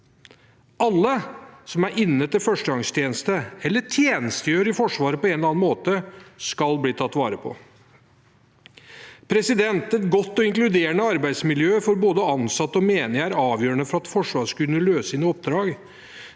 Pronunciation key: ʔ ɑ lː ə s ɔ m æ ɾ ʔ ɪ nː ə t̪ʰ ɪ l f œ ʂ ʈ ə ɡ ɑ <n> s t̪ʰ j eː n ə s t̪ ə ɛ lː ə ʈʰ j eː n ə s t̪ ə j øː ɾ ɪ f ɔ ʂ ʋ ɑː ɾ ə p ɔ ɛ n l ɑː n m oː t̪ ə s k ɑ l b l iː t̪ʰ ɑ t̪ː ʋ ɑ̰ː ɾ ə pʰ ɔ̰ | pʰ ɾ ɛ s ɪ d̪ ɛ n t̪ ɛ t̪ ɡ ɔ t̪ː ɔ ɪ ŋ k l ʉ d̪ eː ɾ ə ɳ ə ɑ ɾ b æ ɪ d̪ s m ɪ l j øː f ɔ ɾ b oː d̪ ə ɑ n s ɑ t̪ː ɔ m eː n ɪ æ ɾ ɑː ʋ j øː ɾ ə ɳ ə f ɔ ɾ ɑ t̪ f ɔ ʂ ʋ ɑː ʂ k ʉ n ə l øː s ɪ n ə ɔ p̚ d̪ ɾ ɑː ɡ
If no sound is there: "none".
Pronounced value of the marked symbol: ŋ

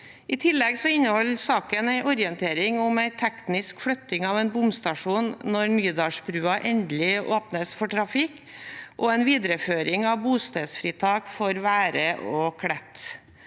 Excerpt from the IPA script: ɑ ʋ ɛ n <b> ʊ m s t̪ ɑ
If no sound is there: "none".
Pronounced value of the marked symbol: b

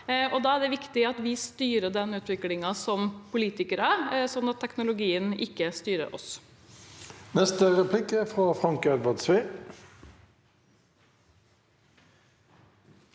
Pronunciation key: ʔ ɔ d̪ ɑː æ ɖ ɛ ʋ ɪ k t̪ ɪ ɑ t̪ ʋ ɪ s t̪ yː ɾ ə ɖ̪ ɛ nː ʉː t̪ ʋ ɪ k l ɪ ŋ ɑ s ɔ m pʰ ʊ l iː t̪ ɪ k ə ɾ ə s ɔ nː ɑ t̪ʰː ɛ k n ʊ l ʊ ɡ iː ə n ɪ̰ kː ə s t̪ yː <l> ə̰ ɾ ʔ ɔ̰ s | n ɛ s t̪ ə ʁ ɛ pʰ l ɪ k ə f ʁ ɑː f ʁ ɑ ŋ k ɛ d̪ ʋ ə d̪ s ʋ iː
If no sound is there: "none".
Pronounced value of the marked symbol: ɾ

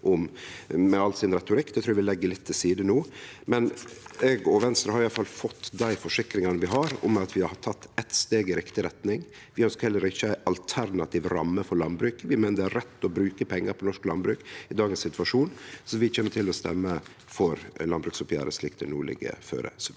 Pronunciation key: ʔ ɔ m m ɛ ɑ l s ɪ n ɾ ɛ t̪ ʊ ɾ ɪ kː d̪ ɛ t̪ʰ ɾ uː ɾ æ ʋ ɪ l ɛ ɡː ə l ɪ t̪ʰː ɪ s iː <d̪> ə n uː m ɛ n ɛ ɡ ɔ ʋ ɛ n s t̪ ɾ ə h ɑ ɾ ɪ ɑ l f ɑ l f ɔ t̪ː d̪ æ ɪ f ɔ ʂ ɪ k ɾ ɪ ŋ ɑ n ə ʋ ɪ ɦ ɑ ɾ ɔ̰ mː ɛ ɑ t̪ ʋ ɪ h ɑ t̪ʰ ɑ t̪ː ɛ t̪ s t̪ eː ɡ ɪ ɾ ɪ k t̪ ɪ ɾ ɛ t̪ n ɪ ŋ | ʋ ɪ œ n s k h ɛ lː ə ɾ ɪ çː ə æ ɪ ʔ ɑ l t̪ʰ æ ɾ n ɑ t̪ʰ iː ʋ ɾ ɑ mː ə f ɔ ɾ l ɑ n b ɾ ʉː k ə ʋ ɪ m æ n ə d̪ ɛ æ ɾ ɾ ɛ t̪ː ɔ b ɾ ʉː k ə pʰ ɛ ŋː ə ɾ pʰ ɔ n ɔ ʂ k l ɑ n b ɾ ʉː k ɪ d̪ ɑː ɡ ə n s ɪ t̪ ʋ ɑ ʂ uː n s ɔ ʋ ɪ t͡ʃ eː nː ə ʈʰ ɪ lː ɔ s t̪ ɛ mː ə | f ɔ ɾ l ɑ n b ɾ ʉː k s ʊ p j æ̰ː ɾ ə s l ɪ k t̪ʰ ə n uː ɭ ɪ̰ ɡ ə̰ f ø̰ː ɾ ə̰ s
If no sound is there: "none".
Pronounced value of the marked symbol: d̪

